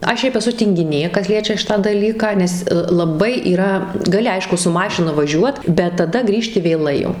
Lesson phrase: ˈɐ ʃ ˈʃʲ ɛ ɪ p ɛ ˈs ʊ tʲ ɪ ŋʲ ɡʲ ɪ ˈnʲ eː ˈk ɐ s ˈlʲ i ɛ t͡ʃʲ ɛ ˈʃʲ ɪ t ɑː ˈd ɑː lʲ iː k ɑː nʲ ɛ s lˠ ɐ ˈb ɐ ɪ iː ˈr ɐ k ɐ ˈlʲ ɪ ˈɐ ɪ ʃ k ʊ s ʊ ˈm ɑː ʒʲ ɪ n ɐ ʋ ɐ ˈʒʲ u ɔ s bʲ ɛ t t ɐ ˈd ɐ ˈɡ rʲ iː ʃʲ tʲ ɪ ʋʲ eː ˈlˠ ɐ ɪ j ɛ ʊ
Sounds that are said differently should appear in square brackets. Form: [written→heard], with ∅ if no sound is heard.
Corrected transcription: ˈɐ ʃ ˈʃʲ ɛ ɪ p ɛ ˈs ʊ tʲ ɪ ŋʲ ɡʲ ɪ ˈnʲ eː ˈk ɐ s ˈlʲ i ɛ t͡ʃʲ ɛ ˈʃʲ ɪ t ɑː ˈd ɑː lʲ iː k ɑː nʲ ɛ s lˠ ɐ ˈb ɐ ɪ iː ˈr ɐ [k→ɡ] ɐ ˈlʲ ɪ ˈɐ ɪ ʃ k ʊ s ʊ ˈm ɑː [ʒʲ→ʃʲ] ɪ n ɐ ʋ ɐ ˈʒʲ u ɔ [s→t] bʲ ɛ t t ɐ ˈd ɐ ˈɡ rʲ iː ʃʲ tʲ ɪ ʋʲ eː ˈlˠ ɐ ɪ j ɛ ʊ